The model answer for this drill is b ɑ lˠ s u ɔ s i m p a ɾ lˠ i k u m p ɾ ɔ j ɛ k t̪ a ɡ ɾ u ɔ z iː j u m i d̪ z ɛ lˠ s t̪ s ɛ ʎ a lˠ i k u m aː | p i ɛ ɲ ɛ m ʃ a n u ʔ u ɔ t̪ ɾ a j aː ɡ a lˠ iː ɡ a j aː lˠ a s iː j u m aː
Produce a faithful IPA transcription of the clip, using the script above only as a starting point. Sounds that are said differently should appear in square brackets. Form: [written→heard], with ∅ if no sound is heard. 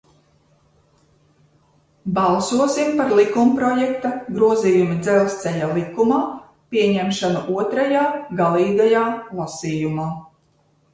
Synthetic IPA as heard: b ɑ lˠ s u ɔ s i m p a ɾ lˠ i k u m p ɾ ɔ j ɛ k t̪ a ɡ ɾ u ɔ z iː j u m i d̪ z ɛ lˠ s t̪ s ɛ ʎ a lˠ i k u m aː | p i ɛ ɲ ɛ m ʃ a n u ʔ u ɔ t̪ ɾ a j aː ɡ a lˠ iː ɡ a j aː lˠ a s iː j u m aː